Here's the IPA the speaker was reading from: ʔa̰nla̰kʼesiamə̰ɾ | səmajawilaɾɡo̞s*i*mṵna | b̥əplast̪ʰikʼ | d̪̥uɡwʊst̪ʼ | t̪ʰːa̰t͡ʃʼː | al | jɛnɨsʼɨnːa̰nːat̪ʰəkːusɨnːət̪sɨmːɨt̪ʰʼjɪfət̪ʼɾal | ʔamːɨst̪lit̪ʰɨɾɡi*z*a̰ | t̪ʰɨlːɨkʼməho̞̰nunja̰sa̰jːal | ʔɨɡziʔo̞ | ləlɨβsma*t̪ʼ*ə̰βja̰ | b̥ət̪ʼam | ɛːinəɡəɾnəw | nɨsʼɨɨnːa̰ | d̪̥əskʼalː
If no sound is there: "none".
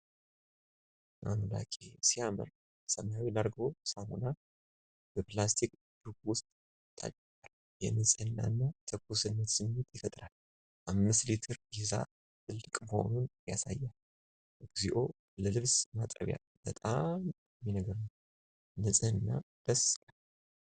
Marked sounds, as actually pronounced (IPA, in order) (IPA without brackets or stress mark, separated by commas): a, z, t̪ʼ